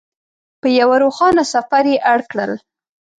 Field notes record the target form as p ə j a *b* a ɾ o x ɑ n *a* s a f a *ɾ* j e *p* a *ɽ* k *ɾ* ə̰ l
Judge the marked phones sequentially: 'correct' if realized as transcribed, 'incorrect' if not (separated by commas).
incorrect, correct, correct, incorrect, correct, incorrect